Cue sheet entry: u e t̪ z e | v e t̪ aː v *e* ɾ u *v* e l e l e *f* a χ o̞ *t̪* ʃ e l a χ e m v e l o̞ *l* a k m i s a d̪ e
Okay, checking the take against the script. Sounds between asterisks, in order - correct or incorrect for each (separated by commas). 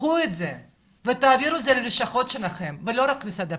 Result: incorrect, incorrect, incorrect, correct, incorrect